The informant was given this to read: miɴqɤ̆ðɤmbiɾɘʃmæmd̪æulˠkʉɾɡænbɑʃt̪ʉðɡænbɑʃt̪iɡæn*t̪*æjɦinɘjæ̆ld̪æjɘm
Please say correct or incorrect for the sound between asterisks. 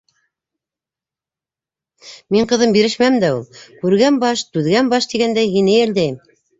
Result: incorrect